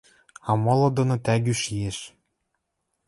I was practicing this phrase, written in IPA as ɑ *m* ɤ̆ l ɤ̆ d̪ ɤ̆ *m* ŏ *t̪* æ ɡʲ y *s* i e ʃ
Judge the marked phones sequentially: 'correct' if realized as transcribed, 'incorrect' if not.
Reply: correct, incorrect: n, correct, incorrect: ʃ

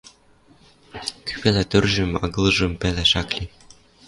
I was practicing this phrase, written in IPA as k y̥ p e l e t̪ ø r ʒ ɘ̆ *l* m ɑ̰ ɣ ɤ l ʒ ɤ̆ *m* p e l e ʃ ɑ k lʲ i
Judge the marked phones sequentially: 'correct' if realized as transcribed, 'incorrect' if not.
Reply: incorrect: none, correct

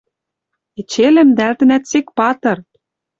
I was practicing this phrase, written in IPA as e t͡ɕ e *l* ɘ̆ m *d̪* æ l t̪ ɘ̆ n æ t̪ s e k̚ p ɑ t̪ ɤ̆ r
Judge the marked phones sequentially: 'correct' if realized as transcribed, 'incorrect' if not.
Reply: correct, correct

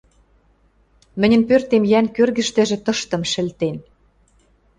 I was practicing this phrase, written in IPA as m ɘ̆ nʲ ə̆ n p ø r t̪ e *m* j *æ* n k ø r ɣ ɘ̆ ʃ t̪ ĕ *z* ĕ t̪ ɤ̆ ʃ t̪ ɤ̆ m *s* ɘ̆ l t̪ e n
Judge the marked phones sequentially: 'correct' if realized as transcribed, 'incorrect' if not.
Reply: correct, correct, incorrect: ʒ, incorrect: ʃ

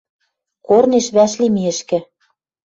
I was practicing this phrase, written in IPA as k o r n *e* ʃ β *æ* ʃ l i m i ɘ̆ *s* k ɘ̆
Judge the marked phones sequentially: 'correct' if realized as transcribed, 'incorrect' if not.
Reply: correct, correct, incorrect: ʃ

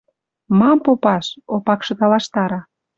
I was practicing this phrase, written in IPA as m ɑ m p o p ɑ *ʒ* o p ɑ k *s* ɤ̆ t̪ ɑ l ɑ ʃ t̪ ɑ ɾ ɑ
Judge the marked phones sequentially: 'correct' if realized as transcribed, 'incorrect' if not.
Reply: incorrect: ʃ, incorrect: ʃ

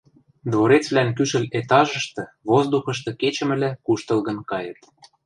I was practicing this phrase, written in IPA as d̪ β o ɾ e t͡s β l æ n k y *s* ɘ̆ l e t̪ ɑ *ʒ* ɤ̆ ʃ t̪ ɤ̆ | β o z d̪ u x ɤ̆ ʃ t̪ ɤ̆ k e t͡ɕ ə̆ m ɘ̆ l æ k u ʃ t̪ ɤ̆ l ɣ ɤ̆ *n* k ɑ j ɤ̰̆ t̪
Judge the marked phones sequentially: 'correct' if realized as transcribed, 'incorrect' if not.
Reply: incorrect: ʃ, correct, correct

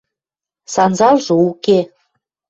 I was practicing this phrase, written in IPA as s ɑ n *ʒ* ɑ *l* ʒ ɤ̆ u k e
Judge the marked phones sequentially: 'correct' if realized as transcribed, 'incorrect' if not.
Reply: incorrect: z, correct

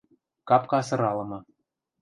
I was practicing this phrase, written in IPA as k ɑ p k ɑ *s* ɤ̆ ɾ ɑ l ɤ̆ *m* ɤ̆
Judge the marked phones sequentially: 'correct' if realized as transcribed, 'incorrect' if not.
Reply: correct, correct

